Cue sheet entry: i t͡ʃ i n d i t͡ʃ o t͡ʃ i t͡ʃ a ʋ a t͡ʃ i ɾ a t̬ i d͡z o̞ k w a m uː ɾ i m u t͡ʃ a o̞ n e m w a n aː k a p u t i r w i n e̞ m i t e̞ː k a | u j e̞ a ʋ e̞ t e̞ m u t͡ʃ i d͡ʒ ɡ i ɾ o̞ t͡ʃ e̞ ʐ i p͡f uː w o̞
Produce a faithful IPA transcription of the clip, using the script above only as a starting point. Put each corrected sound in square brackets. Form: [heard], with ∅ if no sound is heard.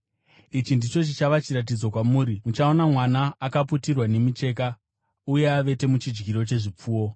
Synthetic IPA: i t͡ʃ i n d i t͡ʃ o t͡ʃ i t͡ʃ a ʋ a t͡ʃ i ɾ a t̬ i d͡z o̞ k w a m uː ɾ i m u t͡ʃ a o̞ n [a] m w a n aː k a p u t i r w [a] n e̞ m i [t͡ʃ] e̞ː k a | u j e̞ a ʋ e̞ t e̞ m u t͡ʃ i d͡ʒ ɡ i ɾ o̞ t͡ʃ e̞ ʐ i p͡f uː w o̞